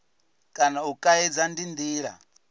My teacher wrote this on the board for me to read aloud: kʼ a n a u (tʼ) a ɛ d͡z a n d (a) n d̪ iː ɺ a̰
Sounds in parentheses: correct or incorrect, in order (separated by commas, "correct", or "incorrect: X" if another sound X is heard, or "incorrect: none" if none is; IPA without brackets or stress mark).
incorrect: kʼ, incorrect: i